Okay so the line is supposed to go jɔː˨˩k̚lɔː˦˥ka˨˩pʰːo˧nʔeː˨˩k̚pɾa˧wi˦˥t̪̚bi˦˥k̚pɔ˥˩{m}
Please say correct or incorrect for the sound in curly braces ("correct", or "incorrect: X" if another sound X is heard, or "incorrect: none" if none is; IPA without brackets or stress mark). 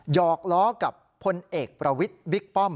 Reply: correct